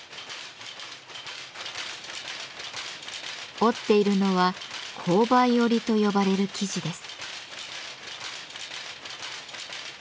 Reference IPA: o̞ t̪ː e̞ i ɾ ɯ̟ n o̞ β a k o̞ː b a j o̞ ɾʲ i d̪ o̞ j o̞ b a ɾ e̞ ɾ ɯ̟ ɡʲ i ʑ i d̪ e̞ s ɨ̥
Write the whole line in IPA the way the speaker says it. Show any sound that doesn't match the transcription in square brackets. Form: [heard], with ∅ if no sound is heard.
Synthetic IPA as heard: o̞ t̪ː e̞ i ɾ ɯ̟ n o̞ β a [kʰ] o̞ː b a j o̞ ɾʲ i [t̪] o̞ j o̞ b a ɾ e̞ ɾ ɯ̟ [kʲ] i ʑ i d̪ e̞ s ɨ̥